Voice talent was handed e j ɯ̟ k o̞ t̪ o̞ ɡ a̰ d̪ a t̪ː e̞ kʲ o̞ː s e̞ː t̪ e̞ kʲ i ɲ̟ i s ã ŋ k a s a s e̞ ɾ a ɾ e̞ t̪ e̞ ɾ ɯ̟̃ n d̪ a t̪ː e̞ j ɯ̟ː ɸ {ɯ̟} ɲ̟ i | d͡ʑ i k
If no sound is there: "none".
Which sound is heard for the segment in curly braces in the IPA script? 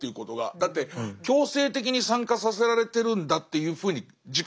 ɯ̟ː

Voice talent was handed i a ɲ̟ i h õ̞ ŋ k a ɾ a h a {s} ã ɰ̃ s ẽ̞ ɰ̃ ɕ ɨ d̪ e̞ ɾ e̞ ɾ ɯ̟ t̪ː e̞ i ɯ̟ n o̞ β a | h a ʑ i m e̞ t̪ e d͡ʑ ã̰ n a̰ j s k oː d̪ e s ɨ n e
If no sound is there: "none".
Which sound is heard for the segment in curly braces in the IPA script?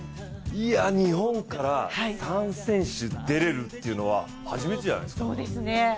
s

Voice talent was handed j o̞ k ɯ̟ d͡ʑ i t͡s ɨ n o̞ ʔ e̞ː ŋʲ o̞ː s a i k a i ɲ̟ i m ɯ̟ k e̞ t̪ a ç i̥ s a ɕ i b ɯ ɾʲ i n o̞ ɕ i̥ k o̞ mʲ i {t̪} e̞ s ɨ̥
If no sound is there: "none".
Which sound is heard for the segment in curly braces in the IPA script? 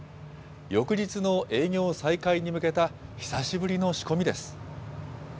d̪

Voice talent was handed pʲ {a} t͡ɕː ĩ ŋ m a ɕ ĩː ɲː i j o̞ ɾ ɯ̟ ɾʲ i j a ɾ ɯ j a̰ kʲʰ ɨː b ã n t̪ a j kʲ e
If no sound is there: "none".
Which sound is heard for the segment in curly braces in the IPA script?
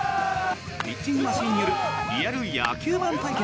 i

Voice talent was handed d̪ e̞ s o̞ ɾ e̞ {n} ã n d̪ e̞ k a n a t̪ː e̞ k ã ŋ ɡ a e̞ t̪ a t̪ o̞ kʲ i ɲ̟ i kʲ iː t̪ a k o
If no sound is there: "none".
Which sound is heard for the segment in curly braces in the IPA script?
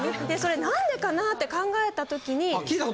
n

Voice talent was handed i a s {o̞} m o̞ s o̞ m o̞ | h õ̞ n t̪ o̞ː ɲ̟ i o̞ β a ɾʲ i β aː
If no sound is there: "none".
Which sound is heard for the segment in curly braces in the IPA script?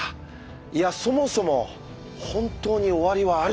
o̞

